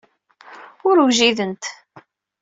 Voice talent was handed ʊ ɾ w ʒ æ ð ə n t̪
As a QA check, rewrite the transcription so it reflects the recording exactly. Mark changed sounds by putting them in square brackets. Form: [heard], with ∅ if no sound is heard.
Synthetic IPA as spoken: ʊ ɾ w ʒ [i] ð ə n t̪